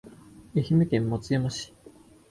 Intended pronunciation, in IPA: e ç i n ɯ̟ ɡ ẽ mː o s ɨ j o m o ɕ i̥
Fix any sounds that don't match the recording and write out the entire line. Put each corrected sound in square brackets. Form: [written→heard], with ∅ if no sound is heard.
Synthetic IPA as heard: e ç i [n→m] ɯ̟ [ɡ→k] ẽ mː o [s→t͡s] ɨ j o m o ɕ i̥

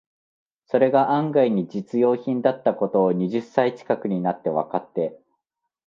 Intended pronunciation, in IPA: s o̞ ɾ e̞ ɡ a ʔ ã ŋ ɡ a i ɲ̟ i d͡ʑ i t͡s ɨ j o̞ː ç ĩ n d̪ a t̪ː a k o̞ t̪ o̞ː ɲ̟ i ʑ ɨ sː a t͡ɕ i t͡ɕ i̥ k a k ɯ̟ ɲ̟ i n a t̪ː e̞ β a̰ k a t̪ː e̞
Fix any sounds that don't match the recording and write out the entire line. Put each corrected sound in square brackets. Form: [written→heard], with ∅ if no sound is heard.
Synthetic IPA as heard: s o̞ ɾ e̞ ɡ a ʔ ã ŋ ɡ a i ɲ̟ i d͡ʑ i t͡s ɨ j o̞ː ç ĩ n d̪ a t̪ː a k o̞ t̪ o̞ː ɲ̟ i ʑ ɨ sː a [t͡ɕ→∅] i t͡ɕ i̥ k a k ɯ̟ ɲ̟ i n a t̪ː e̞ β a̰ k a t̪ː e̞

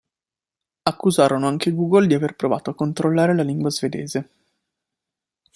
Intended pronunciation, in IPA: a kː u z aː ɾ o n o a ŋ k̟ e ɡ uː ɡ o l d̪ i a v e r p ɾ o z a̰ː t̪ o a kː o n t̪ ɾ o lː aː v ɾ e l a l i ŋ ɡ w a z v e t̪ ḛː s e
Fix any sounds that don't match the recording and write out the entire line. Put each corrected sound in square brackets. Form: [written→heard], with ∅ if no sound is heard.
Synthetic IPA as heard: a kː u z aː ɾ o n o a ŋ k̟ e ɡ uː ɡ o l d̪ i a v e r p ɾ o [z→v] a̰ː t̪ o a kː o n t̪ ɾ o lː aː [v→∅] ɾ e l a l i ŋ ɡ w a z v e [t̪→d̪] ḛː [s→z] e

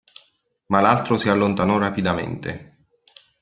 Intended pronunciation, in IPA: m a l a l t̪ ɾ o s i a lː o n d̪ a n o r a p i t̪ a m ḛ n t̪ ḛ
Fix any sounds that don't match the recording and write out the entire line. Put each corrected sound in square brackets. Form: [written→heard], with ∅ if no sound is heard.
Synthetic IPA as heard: m a l a l t̪ ɾ o s i a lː o n [d̪→t̪] a n [o→ɔ] r a p i [t̪→d̪] a m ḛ n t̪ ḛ

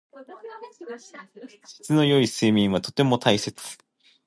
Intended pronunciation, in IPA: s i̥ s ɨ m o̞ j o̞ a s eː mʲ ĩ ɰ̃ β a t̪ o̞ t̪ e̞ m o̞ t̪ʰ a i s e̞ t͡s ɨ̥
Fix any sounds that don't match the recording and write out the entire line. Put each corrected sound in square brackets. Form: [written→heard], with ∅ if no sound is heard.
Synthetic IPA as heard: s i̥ [s→t͡s] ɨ [m→n] o̞ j o̞ [a→i] s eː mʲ ĩ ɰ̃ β a t̪ o̞ t̪ e̞ m o̞ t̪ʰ a i s e̞ t͡s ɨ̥

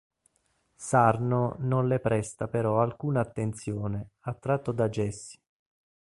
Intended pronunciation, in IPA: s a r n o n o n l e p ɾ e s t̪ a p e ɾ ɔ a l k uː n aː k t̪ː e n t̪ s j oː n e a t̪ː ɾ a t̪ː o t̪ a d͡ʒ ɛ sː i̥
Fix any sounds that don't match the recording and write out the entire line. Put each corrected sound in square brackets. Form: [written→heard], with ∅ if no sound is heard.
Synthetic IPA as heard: s a r n o n o n l e p ɾ [e→ɛ] s t̪ a p e ɾ ɔ a l k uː n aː [k→∅] t̪ː e n t̪ s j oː n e a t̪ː ɾ a t̪ː o [t̪→d̪] a d͡ʒ ɛ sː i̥

